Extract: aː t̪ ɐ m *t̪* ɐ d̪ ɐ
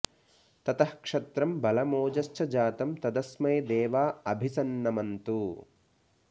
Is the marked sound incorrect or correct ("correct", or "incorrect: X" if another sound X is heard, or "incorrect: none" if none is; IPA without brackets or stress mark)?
correct